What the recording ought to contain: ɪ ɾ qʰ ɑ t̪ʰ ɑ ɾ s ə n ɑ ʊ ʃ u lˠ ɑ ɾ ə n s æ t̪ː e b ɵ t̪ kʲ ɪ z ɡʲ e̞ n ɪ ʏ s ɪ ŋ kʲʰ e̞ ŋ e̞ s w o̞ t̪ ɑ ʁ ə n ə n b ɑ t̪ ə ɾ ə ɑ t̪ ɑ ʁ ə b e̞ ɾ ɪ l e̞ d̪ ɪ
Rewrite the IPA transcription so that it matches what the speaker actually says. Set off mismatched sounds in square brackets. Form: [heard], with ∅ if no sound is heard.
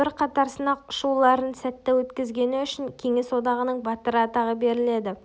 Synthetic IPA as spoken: ɪ ɾ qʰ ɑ [t̪] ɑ ɾ s ə n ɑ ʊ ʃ u lˠ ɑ ɾ ə n s æ t̪ː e [w] ɵ t̪ kʲ ɪ z ɡʲ e̞ n ɪ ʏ [ʃ] ɪ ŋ kʲʰ e̞ ŋ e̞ s w o̞ [d̪] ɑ ʁ ə n ə [ɴ] b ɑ t̪ ə ɾ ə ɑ t̪ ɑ ʁ ə b e̞ ɾ ɪ l e̞ d̪ ɪ

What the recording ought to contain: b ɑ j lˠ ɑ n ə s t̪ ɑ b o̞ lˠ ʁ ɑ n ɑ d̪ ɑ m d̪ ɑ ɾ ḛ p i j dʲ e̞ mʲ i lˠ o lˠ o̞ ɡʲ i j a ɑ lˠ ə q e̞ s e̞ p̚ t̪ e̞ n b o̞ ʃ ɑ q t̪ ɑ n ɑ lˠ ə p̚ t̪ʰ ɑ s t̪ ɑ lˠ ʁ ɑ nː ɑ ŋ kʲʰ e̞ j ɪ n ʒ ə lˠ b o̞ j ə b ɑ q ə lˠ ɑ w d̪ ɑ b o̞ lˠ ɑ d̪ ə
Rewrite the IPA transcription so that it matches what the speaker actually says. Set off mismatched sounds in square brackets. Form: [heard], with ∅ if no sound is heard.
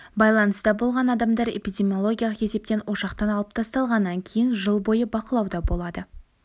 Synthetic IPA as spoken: b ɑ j lˠ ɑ n ə s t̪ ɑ b o̞ lˠ ʁ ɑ n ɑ d̪ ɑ m d̪ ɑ ɾ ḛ p i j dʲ e̞ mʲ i [∅] o lˠ o̞ ɡʲ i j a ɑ lˠ ə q e̞ s e̞ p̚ t̪ e̞ n [w] o̞ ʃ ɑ q t̪ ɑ n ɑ lˠ ə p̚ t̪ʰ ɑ s t̪ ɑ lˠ ʁ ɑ nː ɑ ŋ kʲʰ e̞ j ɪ n ʒ ə lˠ b o̞ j ə b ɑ q ə lˠ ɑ w d̪ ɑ b o̞ lˠ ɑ d̪ ə

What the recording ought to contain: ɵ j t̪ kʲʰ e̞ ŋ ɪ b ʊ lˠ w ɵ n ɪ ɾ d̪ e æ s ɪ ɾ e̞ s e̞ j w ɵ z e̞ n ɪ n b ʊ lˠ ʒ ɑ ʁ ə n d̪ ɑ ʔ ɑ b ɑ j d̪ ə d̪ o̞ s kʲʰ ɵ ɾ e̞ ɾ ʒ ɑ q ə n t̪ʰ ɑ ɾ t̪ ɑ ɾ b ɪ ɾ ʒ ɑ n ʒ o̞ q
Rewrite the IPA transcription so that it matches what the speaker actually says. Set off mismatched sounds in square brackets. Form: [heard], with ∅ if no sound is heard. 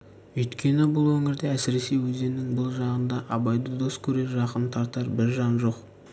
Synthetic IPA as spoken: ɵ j t̪ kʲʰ e̞ [n] ɪ b ʊ lˠ w ɵ [ŋ] ɪ ɾ d̪ e æ s ɪ ɾ e̞ s e̞ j w ɵ z e̞ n ɪ [ŋ] b ʊ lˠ ʒ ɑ ʁ ə n d̪ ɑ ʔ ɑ b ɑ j d̪ ə d̪ o̞ s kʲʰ ɵ ɾ e̞ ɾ ʒ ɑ q ə n t̪ʰ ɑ ɾ t̪ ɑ ɾ b ɪ ɾ ʒ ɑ n ʒ o̞ q

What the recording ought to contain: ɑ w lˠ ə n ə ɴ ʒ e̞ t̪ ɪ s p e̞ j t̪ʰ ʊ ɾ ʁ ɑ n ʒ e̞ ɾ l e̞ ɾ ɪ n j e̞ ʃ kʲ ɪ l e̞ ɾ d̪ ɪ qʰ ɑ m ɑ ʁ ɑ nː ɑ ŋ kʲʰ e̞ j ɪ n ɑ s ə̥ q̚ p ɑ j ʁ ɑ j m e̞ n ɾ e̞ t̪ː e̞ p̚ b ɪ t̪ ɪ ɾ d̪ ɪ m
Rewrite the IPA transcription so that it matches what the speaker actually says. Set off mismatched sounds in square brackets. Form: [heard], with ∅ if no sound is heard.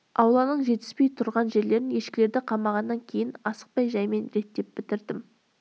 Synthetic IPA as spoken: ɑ w lˠ [ɑ] n ə ɴ ʒ e̞ t̪ ɪ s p e̞ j t̪ʰ ʊ ɾ ʁ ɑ n ʒ e̞ ɾ l e̞ ɾ ɪ n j e̞ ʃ kʲ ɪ l e̞ ɾ d̪ ɪ qʰ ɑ m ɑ ʁ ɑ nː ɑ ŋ kʲʰ e̞ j ɪ n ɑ s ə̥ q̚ p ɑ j [ʒ] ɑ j m e̞ n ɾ e̞ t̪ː e̞ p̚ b ɪ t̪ ɪ ɾ d̪ ɪ m

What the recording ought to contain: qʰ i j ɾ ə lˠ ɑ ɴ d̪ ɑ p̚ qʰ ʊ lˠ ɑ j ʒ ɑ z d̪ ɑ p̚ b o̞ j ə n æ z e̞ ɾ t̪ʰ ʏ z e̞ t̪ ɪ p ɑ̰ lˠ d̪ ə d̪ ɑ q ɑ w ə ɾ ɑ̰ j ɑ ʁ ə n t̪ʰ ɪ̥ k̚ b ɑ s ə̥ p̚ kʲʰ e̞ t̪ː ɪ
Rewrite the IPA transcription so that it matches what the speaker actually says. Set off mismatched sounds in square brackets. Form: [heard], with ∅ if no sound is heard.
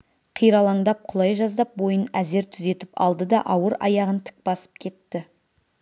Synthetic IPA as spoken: qʰ i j ɾ [ɑ] lˠ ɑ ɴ d̪ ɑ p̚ qʰ ʊ lˠ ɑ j ʒ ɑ z d̪ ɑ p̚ b o̞ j ə n æ z e̞ ɾ t̪ʰ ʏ z e̞ t̪ ɪ p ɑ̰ lˠ d̪ ə d̪ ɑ [ʔ] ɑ w ə ɾ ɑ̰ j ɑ ʁ ə n t̪ʰ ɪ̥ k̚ b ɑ s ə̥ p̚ kʲʰ e̞ t̪ː ɪ

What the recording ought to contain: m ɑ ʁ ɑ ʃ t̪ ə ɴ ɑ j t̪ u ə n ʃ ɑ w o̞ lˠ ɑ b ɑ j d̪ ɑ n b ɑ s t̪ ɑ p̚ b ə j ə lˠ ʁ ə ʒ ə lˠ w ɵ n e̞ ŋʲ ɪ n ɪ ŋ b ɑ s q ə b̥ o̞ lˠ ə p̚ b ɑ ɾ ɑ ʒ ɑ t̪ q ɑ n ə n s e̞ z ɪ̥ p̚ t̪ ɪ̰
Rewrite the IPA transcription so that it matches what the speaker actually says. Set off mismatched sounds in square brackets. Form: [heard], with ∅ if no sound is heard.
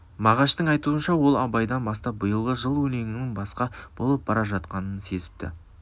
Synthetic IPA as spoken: m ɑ ʁ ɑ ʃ t̪ ə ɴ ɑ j t̪ u ə n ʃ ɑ w o̞ lˠ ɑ b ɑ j d̪ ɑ n b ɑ s t̪ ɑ p̚ b ə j ə lˠ ʁ ə ʒ ə lˠ w ɵ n e̞ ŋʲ ɪ n ɪ ŋ b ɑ s q [ɑ] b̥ o̞ lˠ ə p̚ b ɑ ɾ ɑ ʒ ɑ t̪ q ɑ n ə n s e̞ z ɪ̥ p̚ t̪ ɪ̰

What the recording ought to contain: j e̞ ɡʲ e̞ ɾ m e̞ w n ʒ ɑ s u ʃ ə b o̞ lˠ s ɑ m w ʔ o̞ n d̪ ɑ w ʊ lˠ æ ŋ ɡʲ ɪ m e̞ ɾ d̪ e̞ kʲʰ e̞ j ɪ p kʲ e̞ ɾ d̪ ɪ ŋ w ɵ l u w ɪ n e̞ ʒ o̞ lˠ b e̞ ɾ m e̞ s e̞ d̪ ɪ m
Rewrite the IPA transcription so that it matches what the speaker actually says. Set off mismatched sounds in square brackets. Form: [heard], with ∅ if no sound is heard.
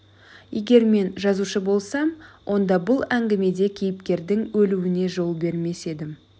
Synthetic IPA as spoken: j e̞ ɡʲ e̞ ɾ m e̞ [∅] n ʒ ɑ [z] u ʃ ə b o̞ lˠ s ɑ m w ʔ o̞ n d̪ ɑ [b] ʊ lˠ æ ŋ ɡʲ ɪ m e̞ [∅] d̪ e̞ kʲʰ e̞ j ɪ p kʲ e̞ ɾ d̪ ɪ ŋ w ɵ l u w ɪ n e̞ ʒ o̞ lˠ b e̞ ɾ m e̞ s e̞ d̪ ɪ m

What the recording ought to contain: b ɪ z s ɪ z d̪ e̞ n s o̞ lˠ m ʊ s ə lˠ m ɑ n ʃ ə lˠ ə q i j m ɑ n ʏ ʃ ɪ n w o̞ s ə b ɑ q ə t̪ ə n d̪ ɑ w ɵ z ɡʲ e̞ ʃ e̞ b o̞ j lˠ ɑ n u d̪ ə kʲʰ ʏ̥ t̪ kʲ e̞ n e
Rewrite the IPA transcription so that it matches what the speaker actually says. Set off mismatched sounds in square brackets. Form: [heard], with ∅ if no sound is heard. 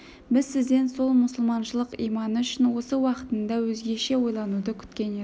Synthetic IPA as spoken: b ɪ z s ɪ z d̪ e̞ n s o̞ lˠ m ʊ s ə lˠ m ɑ n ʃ ə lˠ ə q i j m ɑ n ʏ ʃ ɪ n w o̞ s ə [w] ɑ q ə t̪ ə n d̪ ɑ w ɵ z ɡʲ e̞ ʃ e̞ [w] o̞ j lˠ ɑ n u d̪ ə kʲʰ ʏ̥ t̪ kʲ e̞ n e

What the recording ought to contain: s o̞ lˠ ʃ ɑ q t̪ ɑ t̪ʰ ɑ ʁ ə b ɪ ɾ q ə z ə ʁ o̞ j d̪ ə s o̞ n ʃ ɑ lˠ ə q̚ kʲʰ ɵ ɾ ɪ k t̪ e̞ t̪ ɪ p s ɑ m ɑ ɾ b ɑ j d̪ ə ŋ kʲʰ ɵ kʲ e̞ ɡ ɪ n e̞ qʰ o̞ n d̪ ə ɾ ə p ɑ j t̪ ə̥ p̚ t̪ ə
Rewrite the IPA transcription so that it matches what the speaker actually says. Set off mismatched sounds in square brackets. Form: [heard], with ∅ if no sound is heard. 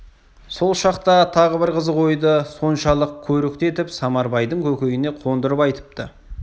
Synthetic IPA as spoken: s o̞ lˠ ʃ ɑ q t̪ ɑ t̪ʰ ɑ ʁ ə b ɪ ɾ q ə z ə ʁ o̞ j d̪ ə s o̞ n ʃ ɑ lˠ ə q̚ kʲʰ ɵ ɾ ɪ k t̪ e̞ t̪ ɪ p s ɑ m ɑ ɾ b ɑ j d̪ ə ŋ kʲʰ ɵ kʲ e̞ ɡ ɪ n e̞ qʰ o̞ n d̪ ə ɾ ə p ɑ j t̪ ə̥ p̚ t̪ ə

